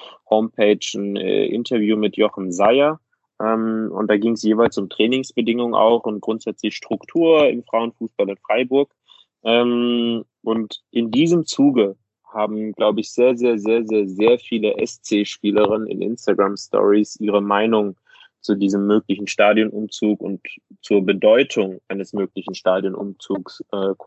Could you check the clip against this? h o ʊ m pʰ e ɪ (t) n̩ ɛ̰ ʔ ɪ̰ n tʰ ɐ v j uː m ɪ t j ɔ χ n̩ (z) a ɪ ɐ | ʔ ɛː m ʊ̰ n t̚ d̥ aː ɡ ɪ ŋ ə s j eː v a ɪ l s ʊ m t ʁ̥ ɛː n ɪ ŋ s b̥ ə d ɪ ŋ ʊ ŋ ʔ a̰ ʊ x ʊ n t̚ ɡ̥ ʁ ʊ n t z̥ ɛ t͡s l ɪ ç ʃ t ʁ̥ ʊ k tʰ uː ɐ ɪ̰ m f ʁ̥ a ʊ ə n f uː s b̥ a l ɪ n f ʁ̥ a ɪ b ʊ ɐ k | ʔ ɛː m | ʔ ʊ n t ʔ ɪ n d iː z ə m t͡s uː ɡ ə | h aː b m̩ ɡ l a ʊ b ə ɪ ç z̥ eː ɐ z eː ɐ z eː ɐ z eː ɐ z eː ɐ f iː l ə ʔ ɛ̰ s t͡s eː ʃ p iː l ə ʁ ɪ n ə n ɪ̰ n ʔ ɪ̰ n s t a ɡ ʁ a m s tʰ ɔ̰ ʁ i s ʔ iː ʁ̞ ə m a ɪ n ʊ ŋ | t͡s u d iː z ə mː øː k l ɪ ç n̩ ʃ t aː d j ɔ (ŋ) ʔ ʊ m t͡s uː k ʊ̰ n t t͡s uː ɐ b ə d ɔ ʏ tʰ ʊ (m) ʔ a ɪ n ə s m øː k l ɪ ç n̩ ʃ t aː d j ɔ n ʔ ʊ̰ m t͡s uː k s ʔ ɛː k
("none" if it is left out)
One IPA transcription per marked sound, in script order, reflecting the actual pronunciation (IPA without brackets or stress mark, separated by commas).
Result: t͡ʃ, z, n, ŋ